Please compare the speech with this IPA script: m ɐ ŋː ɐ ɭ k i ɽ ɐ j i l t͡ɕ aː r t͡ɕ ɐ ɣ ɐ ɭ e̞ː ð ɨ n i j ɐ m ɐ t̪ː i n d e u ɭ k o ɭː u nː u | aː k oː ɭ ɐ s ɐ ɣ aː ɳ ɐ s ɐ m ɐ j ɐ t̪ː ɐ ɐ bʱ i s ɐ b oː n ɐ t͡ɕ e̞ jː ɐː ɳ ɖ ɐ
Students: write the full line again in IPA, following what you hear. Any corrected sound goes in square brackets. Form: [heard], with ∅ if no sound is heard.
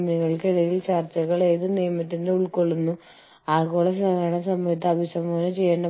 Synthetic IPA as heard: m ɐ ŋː ɐ ɭ k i ɽ ɐ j i l t͡ɕ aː r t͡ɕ ɐ ɣ ɐ ɭ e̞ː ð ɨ n i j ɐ m ɐ t̪ː i n d e u ɭ k o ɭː u nː u | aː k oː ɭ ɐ s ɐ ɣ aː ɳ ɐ s ɐ m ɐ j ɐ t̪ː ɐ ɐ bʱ i s ɐ [m] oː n ɐ t͡ɕ e̞ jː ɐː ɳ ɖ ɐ